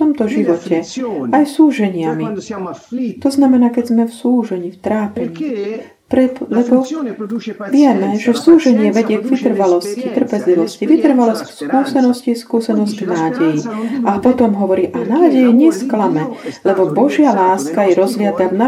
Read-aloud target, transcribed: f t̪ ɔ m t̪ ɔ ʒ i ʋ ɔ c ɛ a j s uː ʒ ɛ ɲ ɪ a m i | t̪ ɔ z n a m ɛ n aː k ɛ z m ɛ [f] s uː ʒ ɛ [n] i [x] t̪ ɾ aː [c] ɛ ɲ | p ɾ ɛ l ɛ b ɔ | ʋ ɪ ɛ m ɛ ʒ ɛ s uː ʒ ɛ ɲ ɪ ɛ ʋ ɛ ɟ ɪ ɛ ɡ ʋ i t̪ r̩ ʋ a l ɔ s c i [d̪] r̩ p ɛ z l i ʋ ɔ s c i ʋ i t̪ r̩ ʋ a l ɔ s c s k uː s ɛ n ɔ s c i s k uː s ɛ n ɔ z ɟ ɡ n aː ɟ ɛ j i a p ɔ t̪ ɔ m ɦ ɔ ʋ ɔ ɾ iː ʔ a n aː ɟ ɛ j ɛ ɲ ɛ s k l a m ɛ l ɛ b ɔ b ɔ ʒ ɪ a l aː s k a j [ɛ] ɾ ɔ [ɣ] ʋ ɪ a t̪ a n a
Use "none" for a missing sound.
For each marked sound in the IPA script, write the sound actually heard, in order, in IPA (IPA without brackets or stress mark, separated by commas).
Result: f, ɲ, f, p, t̪, ɛ, z